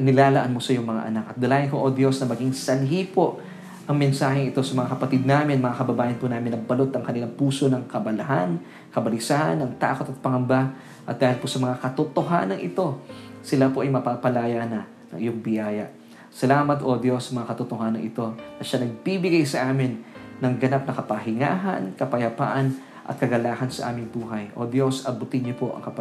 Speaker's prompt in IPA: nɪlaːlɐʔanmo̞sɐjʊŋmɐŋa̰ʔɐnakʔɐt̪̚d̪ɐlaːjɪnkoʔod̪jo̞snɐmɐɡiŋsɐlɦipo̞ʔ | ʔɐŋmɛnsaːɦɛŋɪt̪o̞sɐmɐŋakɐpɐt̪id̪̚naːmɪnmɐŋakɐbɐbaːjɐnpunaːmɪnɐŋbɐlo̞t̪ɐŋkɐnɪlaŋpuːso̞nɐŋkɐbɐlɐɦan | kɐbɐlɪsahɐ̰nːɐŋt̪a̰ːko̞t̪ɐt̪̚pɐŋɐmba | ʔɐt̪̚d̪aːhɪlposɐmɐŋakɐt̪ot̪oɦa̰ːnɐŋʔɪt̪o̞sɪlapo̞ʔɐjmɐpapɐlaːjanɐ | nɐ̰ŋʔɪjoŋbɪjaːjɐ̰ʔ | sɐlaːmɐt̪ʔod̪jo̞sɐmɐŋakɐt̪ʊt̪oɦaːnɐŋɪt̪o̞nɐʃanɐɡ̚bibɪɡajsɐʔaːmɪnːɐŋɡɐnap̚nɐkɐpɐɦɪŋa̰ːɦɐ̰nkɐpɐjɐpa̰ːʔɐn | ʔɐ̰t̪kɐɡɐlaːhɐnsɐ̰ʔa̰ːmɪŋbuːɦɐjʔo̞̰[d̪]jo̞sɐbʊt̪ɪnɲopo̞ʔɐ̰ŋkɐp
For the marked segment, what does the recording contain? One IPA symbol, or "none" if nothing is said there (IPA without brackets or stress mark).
d̪